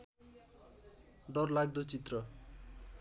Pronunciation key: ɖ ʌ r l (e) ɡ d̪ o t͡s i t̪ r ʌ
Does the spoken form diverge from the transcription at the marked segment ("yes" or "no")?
yes